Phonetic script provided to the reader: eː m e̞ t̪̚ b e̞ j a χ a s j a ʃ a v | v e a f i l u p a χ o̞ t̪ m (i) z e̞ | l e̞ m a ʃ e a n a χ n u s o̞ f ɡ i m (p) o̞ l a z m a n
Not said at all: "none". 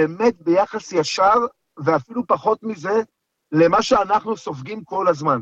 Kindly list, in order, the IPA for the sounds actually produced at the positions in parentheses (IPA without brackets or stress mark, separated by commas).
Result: i, k